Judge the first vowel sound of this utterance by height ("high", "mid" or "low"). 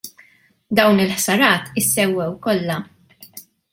low